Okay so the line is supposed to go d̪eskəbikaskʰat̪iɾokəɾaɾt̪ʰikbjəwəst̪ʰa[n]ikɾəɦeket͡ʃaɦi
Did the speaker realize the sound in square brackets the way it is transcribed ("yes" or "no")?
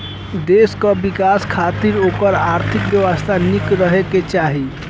yes